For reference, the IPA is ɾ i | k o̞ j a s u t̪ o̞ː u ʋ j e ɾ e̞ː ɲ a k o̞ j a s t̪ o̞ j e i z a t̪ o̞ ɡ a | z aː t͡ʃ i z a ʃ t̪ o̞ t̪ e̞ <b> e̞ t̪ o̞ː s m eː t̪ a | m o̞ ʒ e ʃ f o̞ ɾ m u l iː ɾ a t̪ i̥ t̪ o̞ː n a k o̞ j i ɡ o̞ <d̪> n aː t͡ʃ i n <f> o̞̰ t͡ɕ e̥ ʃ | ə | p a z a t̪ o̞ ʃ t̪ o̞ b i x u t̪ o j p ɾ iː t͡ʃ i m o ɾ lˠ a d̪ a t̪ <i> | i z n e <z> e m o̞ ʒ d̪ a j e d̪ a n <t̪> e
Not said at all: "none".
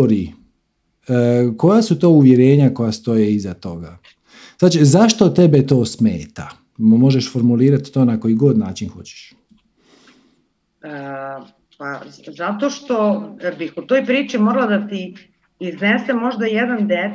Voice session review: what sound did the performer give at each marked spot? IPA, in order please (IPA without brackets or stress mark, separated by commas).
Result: b, d̪, x, i, s, d̪